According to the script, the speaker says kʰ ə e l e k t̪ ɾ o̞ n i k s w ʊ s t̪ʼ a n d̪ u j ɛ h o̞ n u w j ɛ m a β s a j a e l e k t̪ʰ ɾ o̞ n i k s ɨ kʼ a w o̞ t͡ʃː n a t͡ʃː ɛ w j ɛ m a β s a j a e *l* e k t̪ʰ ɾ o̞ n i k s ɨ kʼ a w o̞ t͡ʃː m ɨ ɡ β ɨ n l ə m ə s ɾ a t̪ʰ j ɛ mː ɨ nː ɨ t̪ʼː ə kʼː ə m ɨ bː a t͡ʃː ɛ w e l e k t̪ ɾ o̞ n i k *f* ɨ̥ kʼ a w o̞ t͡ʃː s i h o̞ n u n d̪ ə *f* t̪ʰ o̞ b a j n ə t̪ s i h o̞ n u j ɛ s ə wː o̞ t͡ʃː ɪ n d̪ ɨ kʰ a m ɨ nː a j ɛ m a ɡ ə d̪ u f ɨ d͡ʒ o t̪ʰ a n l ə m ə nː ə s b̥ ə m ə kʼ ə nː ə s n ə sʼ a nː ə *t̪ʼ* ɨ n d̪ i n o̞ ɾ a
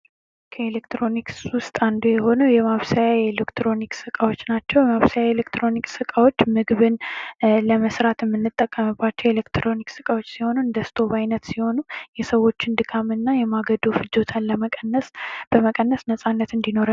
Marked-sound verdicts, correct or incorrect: correct, incorrect: s, incorrect: s, incorrect: t̪

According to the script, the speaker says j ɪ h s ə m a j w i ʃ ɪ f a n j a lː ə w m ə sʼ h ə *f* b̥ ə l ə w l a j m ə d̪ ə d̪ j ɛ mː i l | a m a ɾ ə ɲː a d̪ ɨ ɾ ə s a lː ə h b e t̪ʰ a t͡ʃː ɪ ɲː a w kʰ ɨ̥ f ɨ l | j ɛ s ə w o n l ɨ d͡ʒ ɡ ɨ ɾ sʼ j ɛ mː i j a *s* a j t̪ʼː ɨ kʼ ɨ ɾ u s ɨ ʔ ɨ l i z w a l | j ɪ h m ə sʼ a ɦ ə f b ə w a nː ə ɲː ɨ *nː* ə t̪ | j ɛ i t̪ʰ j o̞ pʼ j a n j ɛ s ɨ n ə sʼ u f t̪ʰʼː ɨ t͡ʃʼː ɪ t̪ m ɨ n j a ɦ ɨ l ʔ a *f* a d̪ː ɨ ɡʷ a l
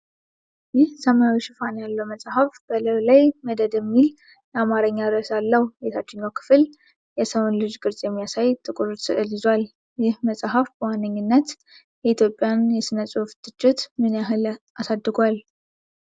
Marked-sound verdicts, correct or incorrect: correct, correct, correct, incorrect: s

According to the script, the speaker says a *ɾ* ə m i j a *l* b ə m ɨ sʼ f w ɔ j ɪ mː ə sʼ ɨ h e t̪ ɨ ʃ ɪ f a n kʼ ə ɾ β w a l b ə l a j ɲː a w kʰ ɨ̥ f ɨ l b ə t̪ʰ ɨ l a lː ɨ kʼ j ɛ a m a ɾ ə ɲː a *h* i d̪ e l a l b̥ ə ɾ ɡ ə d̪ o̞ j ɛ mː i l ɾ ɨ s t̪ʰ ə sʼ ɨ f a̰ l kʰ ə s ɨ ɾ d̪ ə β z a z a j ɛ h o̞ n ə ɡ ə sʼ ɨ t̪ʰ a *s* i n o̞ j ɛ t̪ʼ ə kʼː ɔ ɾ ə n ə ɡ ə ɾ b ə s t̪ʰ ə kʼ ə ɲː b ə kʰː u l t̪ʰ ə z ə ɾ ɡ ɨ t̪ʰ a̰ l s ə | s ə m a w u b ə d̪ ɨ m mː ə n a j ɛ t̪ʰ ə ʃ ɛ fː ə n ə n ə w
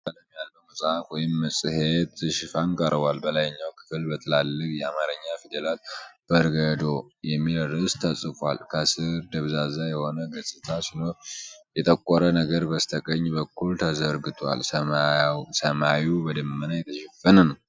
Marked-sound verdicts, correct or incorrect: incorrect: l, correct, incorrect: f, correct

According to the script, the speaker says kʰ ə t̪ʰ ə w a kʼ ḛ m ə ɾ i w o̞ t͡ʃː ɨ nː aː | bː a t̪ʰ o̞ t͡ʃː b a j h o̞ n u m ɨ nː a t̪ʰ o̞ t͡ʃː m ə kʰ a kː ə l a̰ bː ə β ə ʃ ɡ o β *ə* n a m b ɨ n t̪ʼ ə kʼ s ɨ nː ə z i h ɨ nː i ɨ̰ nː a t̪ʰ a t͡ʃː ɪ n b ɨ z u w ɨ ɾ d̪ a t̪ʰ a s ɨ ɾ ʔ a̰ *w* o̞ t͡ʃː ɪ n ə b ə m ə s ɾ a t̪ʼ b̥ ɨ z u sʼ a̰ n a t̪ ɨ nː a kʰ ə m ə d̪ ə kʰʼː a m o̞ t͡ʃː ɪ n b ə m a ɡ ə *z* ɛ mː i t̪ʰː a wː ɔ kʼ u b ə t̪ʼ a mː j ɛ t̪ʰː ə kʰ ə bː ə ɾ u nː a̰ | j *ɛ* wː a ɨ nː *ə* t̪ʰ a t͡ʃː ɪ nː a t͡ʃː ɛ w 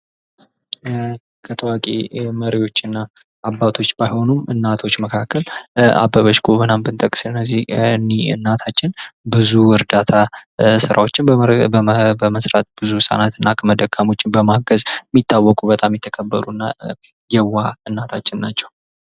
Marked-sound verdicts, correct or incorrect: correct, correct, correct, correct, incorrect: a

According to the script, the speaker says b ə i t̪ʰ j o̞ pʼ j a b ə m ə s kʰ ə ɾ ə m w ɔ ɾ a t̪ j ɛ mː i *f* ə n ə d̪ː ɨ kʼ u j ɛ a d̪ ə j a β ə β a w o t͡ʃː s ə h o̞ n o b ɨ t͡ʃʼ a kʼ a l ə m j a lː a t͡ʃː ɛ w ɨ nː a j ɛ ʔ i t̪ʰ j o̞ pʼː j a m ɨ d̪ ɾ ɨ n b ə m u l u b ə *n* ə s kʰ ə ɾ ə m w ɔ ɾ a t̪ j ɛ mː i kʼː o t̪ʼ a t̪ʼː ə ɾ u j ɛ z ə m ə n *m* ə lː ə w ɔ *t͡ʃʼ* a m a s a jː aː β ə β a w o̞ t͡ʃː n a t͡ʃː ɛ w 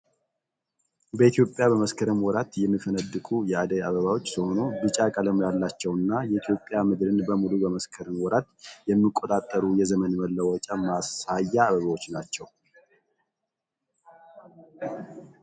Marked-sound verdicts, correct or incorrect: correct, incorrect: m, correct, correct

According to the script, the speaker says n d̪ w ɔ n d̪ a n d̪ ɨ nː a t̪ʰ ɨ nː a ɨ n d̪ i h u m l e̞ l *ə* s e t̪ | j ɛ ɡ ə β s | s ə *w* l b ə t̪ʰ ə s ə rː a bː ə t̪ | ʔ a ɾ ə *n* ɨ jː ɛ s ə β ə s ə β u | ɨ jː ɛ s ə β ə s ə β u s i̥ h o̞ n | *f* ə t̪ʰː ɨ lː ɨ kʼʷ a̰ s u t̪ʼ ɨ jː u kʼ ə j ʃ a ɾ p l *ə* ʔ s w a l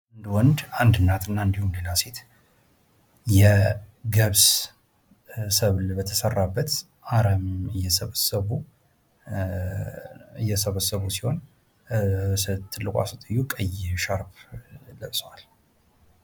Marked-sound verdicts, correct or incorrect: incorrect: a, incorrect: β, incorrect: m, incorrect: s, correct

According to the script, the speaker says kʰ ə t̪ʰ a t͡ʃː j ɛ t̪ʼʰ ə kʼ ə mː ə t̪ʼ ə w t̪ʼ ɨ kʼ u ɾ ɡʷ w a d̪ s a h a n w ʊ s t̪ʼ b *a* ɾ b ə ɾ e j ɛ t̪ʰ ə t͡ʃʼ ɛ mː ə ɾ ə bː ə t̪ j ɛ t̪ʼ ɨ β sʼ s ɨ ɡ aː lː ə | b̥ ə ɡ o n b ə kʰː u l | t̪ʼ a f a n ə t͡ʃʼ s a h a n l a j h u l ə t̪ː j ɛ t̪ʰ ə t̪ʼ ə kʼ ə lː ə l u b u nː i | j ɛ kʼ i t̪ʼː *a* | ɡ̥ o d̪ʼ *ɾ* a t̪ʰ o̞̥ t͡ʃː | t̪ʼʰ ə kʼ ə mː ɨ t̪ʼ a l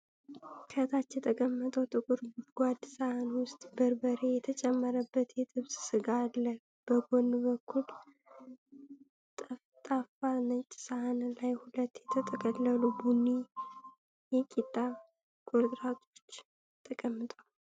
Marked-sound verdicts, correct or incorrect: incorrect: ə, correct, correct

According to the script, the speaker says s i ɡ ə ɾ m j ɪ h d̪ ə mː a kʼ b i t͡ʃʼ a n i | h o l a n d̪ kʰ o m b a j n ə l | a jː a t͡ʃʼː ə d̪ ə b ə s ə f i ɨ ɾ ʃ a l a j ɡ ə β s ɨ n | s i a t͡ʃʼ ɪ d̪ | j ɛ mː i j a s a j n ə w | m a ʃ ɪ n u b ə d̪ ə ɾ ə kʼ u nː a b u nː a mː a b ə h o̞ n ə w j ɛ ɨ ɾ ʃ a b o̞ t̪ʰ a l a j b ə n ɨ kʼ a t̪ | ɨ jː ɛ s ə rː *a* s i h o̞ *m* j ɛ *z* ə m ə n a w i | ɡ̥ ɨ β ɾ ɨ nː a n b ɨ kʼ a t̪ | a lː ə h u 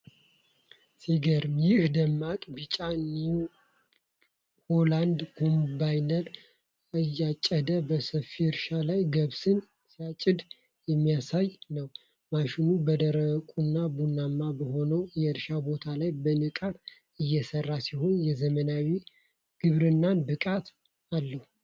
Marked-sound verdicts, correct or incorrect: correct, incorrect: n, correct

